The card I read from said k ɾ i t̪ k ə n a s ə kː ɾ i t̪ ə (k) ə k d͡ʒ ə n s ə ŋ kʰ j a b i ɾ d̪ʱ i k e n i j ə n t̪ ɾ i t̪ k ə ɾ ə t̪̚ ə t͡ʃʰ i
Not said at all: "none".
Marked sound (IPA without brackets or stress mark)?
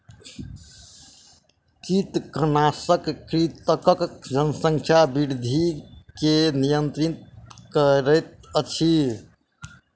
k